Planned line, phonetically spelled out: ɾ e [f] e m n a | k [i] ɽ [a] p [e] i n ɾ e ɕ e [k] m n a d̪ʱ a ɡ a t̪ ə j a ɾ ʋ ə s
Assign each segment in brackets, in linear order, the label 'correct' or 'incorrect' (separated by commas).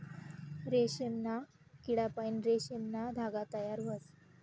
incorrect, correct, correct, incorrect, incorrect